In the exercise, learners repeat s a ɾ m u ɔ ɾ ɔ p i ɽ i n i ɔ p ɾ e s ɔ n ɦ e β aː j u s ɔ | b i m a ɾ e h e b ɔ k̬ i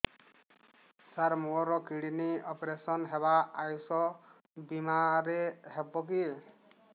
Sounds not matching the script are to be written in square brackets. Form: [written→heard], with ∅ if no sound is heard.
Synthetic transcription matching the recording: s a ɾ m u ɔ ɾ ɔ [p→k] i ɽ i n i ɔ p ɾ e s ɔ n ɦ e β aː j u s ɔ | b i m a ɾ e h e b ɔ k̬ i